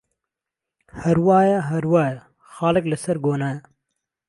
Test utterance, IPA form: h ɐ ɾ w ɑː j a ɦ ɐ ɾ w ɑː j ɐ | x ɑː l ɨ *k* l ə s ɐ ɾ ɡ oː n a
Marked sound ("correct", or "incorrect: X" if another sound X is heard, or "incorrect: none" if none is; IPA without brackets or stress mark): correct